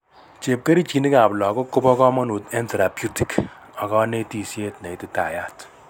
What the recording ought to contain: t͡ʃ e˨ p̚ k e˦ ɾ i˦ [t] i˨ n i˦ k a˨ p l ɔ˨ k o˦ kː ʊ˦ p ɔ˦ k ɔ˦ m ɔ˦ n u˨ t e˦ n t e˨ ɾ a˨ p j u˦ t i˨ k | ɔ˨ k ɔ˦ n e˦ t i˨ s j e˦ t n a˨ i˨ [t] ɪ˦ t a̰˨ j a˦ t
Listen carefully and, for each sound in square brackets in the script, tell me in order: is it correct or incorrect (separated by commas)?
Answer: incorrect, correct